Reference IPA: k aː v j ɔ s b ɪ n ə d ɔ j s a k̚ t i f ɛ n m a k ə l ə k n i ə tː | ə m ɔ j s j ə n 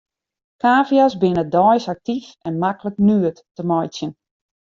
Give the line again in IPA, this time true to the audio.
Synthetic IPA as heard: k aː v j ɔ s b ɪ n ə d ɔ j s a k̚ t i f ɛ n m a k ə l ə k n y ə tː | ə m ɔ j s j ə n